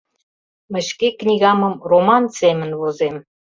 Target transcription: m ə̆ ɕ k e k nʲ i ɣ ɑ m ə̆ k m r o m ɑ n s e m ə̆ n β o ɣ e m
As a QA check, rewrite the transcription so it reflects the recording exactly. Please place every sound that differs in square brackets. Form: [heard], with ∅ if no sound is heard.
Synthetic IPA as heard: m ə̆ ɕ k e k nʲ i ɣ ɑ m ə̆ [∅] m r o m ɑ n s e m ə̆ n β o [z] e m